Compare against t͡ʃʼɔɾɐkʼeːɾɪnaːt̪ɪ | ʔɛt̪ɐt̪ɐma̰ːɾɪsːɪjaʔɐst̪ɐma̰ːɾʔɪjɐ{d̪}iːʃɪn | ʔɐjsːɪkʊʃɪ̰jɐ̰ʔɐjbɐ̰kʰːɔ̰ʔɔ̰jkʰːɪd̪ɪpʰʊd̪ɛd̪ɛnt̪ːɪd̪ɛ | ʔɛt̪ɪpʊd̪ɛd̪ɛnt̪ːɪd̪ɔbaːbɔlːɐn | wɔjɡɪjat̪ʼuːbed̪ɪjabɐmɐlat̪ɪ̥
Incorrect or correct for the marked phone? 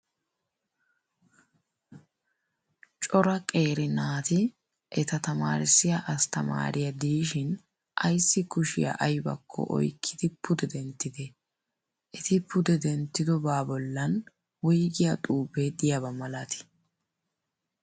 correct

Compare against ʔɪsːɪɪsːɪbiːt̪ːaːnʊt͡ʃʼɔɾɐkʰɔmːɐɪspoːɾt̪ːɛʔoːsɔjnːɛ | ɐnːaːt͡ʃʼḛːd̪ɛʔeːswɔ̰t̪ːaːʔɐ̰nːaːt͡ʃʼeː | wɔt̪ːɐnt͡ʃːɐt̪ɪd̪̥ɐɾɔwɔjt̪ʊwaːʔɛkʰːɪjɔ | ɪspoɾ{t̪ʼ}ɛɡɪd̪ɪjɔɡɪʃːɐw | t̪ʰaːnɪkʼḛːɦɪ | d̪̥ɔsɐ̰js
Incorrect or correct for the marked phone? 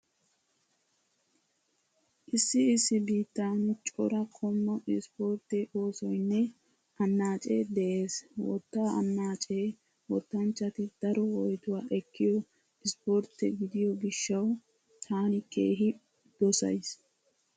incorrect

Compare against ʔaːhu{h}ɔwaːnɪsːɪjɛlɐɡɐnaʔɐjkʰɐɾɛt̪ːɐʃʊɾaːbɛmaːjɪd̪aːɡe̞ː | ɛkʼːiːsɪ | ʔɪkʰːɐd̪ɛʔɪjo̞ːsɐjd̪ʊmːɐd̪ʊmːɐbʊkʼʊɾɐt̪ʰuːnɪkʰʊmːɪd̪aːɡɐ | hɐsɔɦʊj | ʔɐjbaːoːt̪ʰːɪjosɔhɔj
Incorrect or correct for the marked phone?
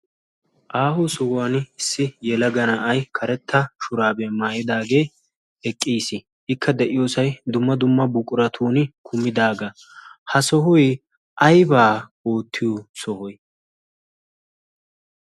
incorrect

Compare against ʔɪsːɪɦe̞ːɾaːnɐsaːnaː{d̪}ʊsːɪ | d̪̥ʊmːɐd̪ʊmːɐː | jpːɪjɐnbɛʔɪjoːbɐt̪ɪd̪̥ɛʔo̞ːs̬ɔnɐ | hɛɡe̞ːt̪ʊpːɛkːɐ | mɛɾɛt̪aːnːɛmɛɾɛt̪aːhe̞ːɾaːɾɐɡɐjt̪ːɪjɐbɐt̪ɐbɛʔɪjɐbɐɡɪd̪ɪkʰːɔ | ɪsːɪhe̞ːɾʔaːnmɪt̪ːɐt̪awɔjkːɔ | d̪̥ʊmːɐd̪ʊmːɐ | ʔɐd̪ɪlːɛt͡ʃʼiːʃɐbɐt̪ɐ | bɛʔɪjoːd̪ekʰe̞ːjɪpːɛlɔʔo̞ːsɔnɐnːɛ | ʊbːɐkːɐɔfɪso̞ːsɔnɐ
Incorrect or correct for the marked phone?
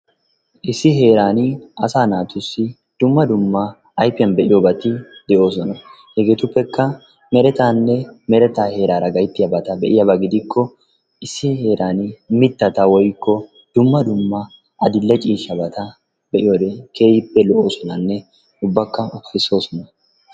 incorrect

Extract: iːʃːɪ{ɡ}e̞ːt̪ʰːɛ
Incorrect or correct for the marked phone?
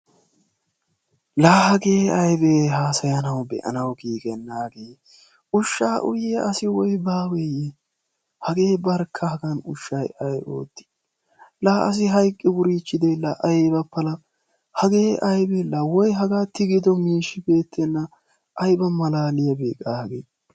incorrect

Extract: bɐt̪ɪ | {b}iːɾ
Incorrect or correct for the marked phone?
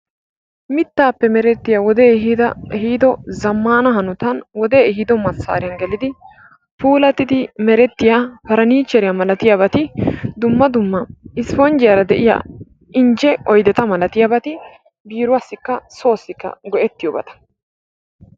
correct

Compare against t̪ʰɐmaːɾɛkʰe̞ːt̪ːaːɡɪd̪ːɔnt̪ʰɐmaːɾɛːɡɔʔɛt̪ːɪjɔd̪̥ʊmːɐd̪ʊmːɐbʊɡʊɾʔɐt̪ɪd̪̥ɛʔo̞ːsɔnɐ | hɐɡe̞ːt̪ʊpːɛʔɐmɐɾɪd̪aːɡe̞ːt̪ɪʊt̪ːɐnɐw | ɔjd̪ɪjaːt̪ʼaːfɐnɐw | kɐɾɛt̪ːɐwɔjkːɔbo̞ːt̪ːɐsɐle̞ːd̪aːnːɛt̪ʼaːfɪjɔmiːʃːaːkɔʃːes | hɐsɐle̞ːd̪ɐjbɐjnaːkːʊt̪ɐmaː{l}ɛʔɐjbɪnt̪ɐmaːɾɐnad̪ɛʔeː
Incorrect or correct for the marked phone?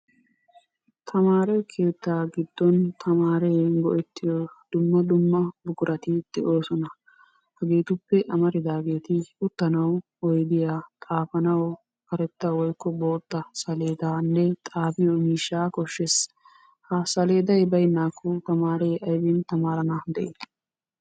incorrect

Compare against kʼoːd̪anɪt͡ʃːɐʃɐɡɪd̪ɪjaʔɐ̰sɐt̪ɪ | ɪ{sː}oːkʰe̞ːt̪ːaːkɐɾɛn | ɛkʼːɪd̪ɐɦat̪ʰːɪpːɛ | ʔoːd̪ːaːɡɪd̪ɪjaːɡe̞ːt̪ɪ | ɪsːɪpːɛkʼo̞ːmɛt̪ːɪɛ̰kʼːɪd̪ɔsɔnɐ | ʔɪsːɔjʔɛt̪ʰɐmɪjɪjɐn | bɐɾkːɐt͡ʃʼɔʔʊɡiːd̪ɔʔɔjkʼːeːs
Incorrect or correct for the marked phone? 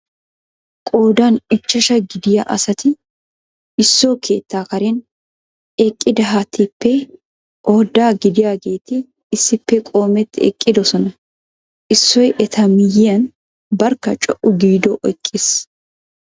correct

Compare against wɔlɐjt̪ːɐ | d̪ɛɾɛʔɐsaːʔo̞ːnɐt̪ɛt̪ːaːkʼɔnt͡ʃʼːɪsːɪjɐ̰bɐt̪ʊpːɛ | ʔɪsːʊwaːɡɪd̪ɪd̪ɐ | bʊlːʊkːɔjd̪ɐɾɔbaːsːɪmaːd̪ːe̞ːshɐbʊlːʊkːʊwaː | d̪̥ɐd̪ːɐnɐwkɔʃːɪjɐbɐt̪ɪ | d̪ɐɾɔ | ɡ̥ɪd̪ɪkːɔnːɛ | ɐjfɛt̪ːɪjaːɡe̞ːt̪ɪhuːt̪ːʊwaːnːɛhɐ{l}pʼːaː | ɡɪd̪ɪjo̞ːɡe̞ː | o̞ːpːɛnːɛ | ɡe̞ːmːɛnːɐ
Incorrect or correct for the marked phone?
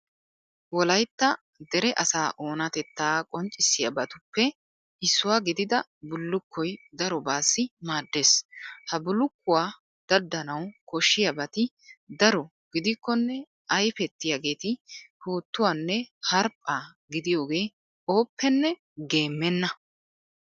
incorrect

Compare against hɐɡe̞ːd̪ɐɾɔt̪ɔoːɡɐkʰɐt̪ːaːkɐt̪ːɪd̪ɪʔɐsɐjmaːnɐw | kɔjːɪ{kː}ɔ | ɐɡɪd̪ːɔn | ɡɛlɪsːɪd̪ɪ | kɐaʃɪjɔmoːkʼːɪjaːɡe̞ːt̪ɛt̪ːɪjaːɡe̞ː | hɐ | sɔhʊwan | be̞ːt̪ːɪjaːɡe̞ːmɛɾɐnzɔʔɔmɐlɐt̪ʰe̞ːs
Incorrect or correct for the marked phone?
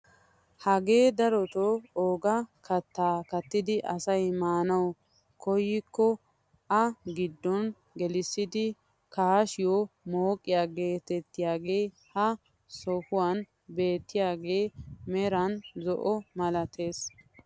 correct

